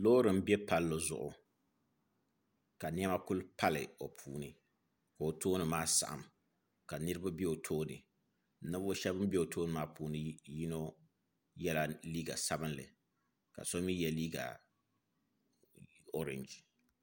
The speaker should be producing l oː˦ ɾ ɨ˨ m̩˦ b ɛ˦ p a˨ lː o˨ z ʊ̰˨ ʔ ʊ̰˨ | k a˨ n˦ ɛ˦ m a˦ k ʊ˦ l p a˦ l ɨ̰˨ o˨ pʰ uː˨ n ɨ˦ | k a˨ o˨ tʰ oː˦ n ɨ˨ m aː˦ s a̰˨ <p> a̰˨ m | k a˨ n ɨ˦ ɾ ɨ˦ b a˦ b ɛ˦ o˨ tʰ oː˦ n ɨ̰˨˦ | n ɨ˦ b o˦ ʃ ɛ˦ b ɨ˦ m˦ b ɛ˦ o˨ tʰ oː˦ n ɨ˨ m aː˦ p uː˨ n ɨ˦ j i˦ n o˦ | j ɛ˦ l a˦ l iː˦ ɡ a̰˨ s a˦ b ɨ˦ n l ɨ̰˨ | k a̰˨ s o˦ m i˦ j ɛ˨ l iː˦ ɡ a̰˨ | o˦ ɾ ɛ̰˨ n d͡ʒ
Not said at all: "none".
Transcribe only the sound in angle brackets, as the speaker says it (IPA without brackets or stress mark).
ʔ